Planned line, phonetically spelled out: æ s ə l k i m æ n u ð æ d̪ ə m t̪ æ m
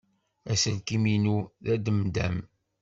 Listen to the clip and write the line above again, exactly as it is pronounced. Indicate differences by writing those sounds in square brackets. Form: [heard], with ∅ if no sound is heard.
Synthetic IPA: æ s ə l k i m [i] n u ð æ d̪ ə m [d̪] æ m